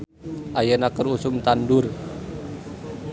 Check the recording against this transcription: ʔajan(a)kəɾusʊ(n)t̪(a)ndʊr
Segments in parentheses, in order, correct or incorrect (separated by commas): correct, incorrect, correct